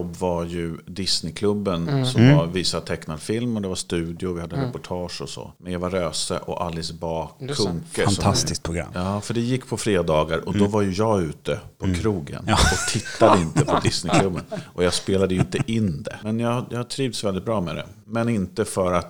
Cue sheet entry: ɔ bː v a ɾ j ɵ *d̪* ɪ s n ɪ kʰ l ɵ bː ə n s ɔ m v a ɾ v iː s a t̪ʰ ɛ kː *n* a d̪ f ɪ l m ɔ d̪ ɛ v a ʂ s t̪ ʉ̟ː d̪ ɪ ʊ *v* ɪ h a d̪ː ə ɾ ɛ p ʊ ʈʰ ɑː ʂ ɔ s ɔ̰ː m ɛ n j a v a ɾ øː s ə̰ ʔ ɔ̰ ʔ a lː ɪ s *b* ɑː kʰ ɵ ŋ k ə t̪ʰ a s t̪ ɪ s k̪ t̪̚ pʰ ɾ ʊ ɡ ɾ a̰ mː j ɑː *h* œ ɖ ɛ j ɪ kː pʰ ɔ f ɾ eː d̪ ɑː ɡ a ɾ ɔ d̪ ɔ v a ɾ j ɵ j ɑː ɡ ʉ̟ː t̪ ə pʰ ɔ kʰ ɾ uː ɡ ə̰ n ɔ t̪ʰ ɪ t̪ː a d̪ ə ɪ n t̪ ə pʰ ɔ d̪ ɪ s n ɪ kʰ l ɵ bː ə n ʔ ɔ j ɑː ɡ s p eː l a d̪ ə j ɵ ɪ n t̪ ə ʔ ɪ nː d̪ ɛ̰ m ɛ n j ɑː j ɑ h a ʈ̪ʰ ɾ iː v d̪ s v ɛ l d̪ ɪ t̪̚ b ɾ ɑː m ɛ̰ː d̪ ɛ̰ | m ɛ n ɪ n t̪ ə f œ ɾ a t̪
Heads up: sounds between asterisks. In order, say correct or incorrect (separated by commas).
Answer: correct, correct, correct, correct, incorrect